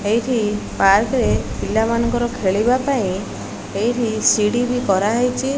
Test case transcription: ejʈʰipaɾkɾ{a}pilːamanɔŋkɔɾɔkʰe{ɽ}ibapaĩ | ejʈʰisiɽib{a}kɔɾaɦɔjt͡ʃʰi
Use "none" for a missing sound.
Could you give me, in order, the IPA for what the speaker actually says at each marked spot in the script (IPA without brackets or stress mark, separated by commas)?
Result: e, ɭ, i